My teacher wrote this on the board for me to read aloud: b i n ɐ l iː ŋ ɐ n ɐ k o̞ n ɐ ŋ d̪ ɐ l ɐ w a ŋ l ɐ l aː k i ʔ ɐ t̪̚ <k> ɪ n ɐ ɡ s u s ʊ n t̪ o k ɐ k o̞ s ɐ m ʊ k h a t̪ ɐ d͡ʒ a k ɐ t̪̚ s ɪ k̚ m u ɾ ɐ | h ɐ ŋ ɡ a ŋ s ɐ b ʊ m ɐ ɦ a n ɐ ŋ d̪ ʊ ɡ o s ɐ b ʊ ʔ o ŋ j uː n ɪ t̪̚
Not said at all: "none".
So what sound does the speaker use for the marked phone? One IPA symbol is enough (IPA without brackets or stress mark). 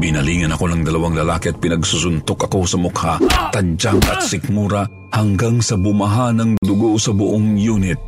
p